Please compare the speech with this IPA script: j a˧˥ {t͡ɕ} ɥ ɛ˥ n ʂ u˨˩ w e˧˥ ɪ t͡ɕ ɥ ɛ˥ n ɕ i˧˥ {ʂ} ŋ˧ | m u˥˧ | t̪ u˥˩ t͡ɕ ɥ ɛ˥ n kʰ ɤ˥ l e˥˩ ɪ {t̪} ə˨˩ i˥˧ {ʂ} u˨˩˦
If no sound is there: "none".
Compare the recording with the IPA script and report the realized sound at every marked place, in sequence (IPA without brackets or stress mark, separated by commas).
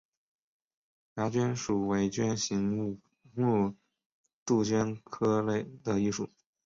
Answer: t͡ɕ, none, d̪, ʂ